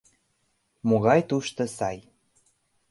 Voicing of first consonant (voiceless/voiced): voiced